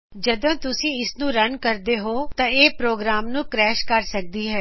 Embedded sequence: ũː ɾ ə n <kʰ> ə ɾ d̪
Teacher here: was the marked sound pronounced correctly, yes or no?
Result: no